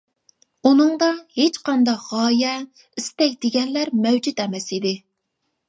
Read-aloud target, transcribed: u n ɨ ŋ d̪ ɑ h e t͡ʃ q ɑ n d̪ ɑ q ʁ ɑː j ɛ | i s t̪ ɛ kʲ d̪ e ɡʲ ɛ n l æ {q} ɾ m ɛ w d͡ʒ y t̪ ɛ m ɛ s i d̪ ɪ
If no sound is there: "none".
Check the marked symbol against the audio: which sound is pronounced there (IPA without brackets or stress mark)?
none